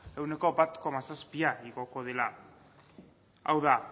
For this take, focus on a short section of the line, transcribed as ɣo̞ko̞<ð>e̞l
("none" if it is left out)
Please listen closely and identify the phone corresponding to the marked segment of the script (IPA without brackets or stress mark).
ð